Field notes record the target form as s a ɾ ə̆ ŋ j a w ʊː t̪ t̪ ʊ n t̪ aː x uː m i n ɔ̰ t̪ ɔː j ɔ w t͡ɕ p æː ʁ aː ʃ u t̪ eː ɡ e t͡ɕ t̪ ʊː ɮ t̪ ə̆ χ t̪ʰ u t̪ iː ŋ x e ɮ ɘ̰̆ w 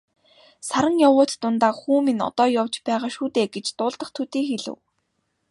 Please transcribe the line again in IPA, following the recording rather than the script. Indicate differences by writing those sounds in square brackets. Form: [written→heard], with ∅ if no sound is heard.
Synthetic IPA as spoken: s a ɾ ə̆ ŋ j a w ʊː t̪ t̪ ʊ n t̪ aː x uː m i n ɔ̰ t̪ ɔː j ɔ w t͡ɕ p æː ʁ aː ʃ [u→uː] t̪ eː ɡ e t͡ɕ t̪ ʊː ɮ t̪ ə̆ χ t̪ʰ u t̪ iː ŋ x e ɮ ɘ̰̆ w